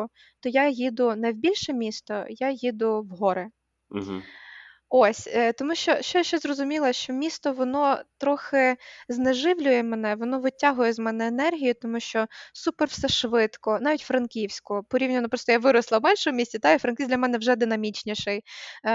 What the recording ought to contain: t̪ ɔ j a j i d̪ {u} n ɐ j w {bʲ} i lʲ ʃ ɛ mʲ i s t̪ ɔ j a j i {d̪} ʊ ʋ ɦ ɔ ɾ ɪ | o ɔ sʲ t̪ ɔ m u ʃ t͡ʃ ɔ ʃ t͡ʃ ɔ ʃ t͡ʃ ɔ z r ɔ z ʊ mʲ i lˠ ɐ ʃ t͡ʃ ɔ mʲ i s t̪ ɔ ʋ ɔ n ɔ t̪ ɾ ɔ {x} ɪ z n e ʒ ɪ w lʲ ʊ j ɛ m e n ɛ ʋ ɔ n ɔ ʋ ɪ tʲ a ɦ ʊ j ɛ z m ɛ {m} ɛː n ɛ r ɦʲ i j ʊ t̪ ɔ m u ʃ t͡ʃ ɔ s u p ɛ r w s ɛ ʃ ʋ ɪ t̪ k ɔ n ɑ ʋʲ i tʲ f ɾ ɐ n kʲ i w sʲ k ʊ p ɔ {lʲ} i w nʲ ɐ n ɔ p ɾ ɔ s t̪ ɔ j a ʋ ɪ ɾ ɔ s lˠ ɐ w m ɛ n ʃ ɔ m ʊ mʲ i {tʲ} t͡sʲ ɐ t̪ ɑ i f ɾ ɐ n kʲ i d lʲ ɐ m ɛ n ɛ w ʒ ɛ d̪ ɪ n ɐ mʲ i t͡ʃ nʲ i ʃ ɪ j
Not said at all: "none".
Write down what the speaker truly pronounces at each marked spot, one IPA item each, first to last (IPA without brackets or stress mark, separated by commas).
ʊ, bʲ, d̪, x, n, ɾʲ, sʲ